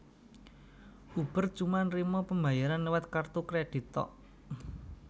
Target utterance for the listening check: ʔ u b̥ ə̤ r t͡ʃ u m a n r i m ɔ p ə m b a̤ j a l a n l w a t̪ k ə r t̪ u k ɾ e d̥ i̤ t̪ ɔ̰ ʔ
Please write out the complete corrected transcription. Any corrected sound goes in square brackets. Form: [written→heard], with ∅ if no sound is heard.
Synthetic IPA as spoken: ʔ u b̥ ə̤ r t͡ʃ u m a n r i m ɔ p ə m b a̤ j a [l→ɾ] a n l w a t̪ k [ə→a] r t̪ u k ɾ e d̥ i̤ t̪ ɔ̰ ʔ